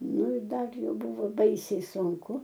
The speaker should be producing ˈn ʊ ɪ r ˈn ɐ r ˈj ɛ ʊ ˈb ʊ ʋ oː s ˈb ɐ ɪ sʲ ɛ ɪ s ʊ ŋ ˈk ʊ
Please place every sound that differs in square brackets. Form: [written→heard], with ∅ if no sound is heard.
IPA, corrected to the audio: ˈn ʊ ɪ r [ˈn→ˈd] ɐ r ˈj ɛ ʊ ˈb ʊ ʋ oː [s→∅] ˈb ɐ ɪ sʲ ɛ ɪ s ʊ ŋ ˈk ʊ